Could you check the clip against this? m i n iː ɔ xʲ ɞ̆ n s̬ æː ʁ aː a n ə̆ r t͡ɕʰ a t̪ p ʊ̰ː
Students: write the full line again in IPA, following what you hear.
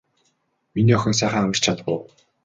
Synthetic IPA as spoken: m i n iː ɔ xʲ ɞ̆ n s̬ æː χ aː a m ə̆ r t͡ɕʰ a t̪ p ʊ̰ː